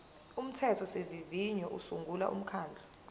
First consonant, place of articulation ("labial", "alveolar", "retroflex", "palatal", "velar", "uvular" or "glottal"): labial